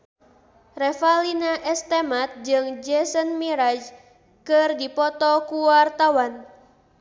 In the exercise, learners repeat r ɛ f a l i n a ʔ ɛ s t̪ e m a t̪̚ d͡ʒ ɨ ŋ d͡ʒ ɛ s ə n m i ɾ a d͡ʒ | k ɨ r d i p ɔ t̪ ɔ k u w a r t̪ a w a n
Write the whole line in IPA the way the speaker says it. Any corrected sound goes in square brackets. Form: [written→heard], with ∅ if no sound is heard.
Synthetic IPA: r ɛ f a l i n a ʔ ɛ s t̪ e m a t̪̚ d͡ʒ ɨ ŋ d͡ʒ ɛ s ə n m i ɾ a d͡ʒ | k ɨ r d i p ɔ t̪ ɔ k u w a r t̪ a w a n